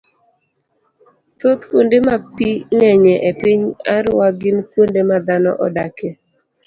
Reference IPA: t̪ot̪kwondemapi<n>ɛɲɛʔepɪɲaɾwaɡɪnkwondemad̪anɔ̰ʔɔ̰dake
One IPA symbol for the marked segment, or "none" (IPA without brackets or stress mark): ŋ